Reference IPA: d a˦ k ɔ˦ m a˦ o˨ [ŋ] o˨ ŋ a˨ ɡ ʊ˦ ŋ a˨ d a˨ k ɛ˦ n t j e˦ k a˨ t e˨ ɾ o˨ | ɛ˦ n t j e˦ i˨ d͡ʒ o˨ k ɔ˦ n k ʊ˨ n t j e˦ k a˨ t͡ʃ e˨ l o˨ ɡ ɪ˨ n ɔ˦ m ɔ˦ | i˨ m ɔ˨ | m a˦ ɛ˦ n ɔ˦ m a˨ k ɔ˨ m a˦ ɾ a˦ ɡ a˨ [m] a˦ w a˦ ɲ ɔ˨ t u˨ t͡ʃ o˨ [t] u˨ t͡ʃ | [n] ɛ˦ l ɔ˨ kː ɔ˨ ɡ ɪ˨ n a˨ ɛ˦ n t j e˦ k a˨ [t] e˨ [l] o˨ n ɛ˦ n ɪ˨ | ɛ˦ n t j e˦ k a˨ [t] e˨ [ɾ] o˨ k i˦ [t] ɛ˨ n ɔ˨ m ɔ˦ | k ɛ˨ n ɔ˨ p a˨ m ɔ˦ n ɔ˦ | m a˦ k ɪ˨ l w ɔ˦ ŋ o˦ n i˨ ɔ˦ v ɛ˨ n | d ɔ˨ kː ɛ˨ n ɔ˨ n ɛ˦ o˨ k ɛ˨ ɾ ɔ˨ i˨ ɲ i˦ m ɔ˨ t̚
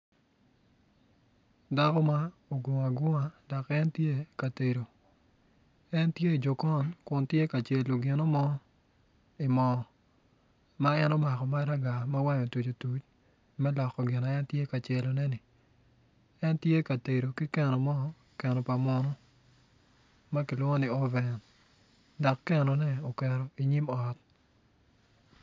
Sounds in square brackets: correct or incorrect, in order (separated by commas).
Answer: incorrect, correct, correct, incorrect, incorrect, correct, correct, correct, incorrect